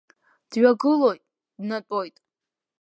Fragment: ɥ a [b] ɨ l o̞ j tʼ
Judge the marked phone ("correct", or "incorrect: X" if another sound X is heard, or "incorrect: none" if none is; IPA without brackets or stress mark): incorrect: ɡ